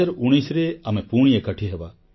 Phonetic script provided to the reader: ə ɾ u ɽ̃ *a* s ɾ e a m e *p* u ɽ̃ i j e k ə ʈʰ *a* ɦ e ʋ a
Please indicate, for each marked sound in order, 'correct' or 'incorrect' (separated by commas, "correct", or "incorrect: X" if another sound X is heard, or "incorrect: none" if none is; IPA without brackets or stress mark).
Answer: incorrect: i, correct, incorrect: i